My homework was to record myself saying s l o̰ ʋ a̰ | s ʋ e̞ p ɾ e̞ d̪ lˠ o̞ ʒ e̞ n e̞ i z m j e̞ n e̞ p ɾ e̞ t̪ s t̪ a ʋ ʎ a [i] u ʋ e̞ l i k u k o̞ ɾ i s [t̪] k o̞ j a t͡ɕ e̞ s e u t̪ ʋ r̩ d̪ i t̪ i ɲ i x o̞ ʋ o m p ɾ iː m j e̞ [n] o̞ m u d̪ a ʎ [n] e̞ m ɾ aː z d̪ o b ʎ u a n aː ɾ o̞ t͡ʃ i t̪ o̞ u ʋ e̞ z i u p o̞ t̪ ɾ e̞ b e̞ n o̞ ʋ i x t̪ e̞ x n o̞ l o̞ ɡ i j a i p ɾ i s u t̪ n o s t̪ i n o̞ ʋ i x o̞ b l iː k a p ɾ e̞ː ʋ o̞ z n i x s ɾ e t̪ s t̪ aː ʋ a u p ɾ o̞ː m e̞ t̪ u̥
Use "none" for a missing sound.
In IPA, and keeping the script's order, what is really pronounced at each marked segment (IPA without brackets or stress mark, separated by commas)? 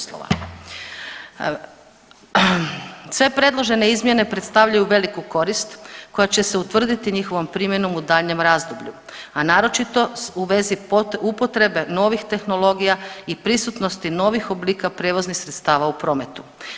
j, t̪, n, ɲ